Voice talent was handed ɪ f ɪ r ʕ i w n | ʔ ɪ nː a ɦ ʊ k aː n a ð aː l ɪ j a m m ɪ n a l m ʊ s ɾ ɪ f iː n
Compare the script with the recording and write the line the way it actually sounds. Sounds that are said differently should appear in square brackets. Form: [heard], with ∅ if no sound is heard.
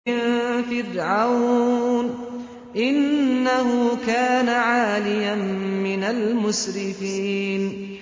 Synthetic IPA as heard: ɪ f ɪ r ʕ [a] w n | ʔ ɪ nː a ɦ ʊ k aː n a [ʕ] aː l ɪ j a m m ɪ n a l m ʊ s ɾ ɪ f iː n